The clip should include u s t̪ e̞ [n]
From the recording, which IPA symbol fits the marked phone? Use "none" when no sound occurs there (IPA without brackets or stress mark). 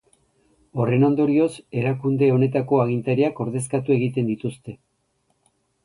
none